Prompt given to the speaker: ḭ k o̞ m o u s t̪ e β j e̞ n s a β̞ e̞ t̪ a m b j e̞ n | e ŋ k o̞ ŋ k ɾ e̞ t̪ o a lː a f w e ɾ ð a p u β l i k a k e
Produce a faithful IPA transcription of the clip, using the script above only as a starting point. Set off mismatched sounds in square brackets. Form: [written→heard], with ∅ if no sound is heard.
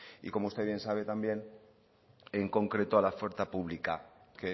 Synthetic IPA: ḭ k o̞ m o u s t̪ e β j e̞ n s a β̞ e̞ t̪ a m b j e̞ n | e ŋ k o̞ ŋ k ɾ e̞ t̪ o a [lː→l] a f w e ɾ [ð→θ] a p u β l i k a k e